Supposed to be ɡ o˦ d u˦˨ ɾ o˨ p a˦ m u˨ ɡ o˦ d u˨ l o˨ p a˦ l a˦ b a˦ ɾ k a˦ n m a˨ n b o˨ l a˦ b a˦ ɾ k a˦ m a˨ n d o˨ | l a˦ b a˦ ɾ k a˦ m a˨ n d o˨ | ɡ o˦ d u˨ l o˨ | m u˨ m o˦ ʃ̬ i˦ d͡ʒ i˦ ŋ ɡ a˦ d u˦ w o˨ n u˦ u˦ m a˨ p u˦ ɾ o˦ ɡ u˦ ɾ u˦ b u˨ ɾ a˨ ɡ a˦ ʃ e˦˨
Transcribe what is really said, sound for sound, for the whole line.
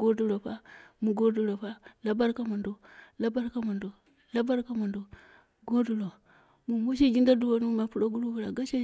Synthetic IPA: ɡ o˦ d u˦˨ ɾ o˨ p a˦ m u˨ ɡ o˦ d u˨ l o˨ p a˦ l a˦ b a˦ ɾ k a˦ m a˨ n d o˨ l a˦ b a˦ ɾ k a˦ m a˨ n d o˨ | l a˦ b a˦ ɾ k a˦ m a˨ n d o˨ | ɡ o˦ d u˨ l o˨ | m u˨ m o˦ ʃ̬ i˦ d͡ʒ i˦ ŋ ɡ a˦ d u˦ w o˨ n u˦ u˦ m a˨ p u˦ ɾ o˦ ɡ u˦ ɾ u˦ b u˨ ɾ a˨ ɡ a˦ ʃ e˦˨